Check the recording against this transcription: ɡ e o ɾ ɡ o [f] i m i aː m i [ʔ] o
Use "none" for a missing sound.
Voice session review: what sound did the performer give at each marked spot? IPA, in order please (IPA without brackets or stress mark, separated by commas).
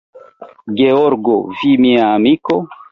v, k